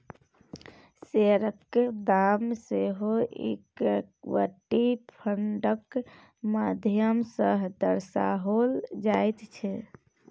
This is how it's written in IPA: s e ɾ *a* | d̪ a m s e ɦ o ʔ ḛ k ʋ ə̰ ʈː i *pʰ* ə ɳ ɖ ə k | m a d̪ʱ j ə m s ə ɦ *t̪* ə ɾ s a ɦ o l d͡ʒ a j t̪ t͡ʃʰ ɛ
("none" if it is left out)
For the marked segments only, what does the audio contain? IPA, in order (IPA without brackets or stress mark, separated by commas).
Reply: ə, pʰ, d̪